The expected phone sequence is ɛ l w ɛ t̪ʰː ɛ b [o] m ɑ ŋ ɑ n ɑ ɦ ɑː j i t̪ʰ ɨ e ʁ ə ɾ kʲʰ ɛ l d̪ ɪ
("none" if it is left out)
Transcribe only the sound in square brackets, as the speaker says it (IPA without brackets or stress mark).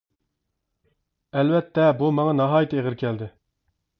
u